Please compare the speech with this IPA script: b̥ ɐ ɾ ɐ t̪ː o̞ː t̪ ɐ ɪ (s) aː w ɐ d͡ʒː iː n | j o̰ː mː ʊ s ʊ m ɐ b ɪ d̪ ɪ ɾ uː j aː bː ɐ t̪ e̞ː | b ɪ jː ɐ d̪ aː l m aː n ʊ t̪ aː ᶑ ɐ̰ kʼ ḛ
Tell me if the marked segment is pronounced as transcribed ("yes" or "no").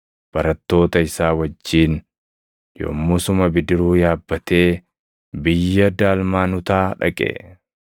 yes